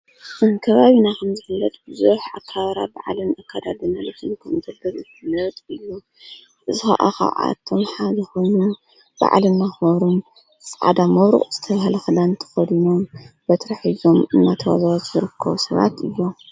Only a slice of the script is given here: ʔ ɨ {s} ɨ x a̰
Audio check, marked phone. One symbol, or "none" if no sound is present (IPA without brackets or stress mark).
z